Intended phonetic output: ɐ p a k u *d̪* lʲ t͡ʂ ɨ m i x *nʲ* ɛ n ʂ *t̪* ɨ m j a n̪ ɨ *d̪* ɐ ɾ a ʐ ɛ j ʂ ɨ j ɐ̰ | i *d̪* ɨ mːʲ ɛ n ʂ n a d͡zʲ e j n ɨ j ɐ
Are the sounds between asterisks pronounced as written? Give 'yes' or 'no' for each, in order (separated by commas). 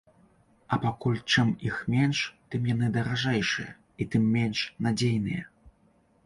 no, no, yes, yes, no